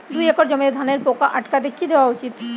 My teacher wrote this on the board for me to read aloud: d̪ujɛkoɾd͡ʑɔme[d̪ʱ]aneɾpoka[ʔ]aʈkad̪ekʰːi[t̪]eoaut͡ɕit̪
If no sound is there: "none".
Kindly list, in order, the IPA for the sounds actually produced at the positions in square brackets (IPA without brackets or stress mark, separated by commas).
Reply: d̪ʱ, ʔ, d̪